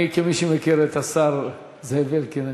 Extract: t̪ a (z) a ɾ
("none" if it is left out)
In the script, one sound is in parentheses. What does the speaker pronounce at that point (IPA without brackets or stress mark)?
s